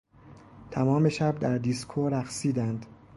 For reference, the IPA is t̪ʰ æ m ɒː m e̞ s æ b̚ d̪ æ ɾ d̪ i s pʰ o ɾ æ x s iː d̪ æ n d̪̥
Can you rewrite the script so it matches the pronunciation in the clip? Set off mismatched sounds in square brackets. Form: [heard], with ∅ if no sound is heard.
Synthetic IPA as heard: t̪ʰ æ m ɒː m e̞ [ʃ] æ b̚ d̪ æ ɾ d̪ i s [kʰ] o ɾ æ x s iː d̪ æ n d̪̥